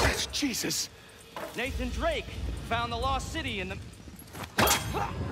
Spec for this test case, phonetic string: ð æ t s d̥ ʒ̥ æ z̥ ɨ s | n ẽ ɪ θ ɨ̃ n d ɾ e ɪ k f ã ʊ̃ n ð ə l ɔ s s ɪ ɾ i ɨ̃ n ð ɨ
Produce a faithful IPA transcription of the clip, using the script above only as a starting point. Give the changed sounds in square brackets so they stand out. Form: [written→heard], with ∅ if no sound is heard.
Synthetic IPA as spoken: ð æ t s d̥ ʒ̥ [æ→i] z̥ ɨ s | n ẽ ɪ θ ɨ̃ n d [ɾ→ɹ] e ɪ k f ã ʊ̃ n ð ə l ɔ s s ɪ ɾ i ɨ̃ n ð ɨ

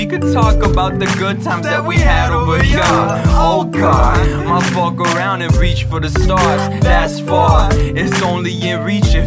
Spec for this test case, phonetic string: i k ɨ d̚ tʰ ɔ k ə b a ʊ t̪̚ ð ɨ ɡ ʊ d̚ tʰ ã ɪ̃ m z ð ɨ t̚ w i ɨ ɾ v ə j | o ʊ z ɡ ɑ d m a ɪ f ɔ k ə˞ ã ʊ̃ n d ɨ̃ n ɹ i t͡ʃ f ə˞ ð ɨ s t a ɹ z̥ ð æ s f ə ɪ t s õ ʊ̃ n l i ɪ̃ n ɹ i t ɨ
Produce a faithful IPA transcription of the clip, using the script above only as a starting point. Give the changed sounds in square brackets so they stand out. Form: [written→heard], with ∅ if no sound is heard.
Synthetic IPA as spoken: i k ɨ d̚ tʰ ɔ k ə b a ʊ t̪̚ ð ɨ ɡ ʊ d̚ tʰ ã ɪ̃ m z ð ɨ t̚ w i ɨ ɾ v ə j | o ʊ [z→∅] ɡ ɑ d m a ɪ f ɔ k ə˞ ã ʊ̃ n d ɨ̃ n ɹ i t͡ʃ f ə˞ ð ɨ s t [a→ɑ] ɹ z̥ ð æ s f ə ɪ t s õ ʊ̃ n l i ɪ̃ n ɹ i [t→t͡ʃ] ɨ

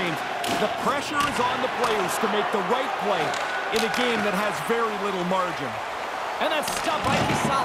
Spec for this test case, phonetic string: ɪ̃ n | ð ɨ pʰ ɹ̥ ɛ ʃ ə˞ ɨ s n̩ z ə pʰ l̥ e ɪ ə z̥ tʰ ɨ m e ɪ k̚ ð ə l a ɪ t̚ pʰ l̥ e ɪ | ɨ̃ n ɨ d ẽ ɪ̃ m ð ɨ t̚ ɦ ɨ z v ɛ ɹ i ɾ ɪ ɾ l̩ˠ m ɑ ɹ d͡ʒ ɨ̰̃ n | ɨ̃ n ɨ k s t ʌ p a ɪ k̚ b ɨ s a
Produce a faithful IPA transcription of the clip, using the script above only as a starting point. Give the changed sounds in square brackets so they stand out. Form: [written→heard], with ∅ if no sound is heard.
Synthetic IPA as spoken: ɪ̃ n | ð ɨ pʰ ɹ̥ ɛ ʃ ə˞ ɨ [s→z] n̩ [z→ð] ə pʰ l̥ e ɪ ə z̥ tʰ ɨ m e ɪ k̚ ð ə [l→ɹ] a ɪ t̚ pʰ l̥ e ɪ | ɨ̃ n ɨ [d→ɡ] ẽ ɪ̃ m ð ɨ t̚ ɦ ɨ z v ɛ ɹ i [ɾ→l] ɪ ɾ l̩ˠ m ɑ ɹ d͡ʒ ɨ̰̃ n | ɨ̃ n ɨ [k→t] s t ʌ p a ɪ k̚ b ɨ s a

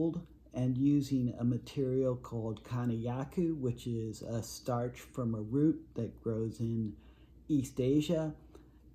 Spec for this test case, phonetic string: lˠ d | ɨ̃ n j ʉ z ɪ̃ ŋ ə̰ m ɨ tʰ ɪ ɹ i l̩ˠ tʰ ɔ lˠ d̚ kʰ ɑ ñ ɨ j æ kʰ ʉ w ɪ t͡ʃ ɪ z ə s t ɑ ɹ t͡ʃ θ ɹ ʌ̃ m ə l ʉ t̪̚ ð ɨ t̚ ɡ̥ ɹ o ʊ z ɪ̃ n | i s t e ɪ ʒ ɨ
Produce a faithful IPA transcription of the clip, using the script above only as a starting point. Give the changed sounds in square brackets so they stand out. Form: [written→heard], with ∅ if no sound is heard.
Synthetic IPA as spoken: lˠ d | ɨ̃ n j ʉ z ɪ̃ ŋ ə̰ m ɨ tʰ ɪ ɹ i l̩ˠ [tʰ→kʰ] ɔ lˠ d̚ kʰ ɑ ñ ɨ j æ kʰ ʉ w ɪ t͡ʃ ɪ z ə s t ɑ ɹ t͡ʃ [θ→f] ɹ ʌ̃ m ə [l→ɹ] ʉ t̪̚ ð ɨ t̚ ɡ̥ ɹ o ʊ z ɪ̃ n | i s t e ɪ ʒ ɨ

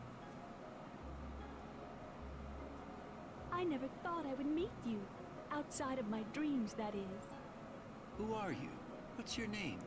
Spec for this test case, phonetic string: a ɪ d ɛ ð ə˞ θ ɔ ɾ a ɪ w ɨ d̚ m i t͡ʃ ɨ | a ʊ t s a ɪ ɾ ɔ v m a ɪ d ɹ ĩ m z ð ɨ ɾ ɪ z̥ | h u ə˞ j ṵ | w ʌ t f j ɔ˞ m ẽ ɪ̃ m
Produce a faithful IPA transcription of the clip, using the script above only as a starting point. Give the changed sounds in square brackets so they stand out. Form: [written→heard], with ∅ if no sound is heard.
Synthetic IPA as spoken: a ɪ [d→n] ɛ [ð→v] ə˞ θ ɔ ɾ a ɪ w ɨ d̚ m i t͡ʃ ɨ | a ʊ t s a ɪ ɾ [ɔ→ʌ] v m a ɪ d ɹ ĩ m z ð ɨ ɾ ɪ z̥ | h u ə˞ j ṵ | w ʌ t [f→s] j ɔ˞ [m→n] ẽ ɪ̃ m

